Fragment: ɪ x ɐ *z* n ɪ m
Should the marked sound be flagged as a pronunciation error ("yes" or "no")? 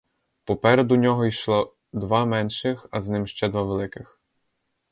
no